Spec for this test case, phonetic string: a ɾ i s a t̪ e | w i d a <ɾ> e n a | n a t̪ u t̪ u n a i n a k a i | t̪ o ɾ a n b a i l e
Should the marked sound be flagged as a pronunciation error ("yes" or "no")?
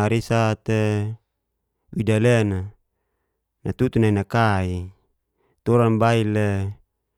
yes